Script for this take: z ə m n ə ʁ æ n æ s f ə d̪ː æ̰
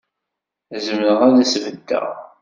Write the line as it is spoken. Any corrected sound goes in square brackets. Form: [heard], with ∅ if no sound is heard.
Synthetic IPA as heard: z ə m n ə ʁ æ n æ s [v] ə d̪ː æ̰